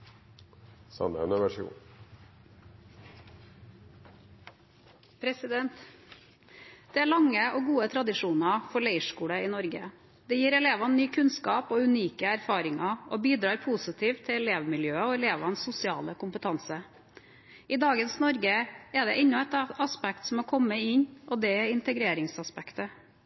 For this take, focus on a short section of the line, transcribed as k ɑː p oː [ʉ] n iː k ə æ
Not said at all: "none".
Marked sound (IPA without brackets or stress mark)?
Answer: ʉ